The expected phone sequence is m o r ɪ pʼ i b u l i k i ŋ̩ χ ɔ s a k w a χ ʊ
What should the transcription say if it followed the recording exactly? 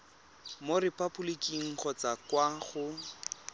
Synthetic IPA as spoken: m o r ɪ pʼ a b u l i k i ŋ̩ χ ɔ t͡s a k w a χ ʊ